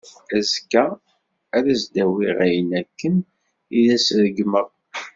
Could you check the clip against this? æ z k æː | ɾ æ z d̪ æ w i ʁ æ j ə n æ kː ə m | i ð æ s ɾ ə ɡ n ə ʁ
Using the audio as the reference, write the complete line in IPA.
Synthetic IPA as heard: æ z k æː | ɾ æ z d̪ æ w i ʁ æ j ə n æ kː ə n | i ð æ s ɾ ə ɡ m ə ʁ